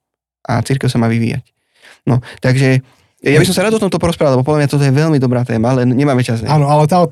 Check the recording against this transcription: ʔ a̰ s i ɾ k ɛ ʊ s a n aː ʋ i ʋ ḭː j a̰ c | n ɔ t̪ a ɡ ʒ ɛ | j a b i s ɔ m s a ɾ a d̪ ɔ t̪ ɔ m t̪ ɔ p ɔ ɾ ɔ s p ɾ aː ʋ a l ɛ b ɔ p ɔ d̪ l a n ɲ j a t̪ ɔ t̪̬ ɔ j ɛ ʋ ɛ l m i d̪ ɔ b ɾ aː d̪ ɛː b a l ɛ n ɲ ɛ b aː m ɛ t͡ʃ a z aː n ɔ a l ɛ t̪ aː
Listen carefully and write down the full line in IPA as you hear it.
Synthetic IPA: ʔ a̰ t͡s i ɾ k ɛ ʊ s a m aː ʋ i ʋ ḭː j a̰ c | n ɔ t̪ a ɡ ʒ ɛ | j a b i s ɔ m s a ɾ a d̪ ɔ t̪ ɔ m t̪ ɔ p ɔ ɾ ɔ s p ɾ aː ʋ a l ɛ b ɔ p ɔ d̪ l a m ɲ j a t̪ ɔ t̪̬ ɔ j ɛ ʋ ɛ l m i d̪ ɔ b ɾ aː t̪ ɛː m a l ɛ n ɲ ɛ m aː m ɛ t͡ʃ a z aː n ɔ a l ɛ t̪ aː